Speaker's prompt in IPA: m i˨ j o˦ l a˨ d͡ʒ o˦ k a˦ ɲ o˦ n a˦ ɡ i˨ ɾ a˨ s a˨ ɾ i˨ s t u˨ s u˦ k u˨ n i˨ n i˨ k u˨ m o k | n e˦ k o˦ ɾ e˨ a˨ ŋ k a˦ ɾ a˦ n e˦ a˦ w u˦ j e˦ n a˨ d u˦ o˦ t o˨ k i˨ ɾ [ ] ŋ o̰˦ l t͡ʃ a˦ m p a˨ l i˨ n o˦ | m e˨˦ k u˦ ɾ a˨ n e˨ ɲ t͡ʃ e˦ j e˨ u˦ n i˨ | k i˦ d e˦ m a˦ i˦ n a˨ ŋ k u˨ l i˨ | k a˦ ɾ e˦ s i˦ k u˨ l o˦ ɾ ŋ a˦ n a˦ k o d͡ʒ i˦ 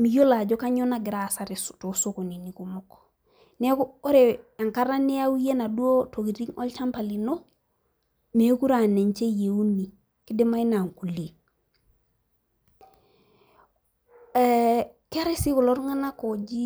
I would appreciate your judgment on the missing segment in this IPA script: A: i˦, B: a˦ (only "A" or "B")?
A